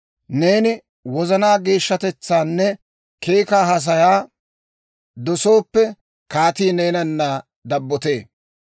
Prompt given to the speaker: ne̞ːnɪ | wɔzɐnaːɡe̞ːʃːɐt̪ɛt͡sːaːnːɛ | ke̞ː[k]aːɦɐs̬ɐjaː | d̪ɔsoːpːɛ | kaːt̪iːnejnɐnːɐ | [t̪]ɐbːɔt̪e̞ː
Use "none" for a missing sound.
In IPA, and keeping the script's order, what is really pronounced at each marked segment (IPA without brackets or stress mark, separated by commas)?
k, d̪